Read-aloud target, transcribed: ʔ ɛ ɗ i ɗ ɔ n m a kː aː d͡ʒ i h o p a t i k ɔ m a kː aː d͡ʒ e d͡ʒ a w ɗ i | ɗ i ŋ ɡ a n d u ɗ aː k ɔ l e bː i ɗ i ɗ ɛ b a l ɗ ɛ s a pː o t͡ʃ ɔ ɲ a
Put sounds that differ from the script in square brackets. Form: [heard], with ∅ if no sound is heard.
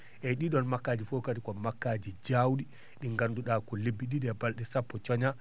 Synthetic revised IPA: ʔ ɛ ɗ i ɗ ɔ n m a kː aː d͡ʒ i [f] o [k] a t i k ɔ m a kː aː d͡ʒ [i] d͡ʒ a w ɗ i | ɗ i ŋ ɡ a n d u ɗ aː k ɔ l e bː i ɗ i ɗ ɛ b a l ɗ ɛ s a pː [ɔ] t͡ʃ ɔ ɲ a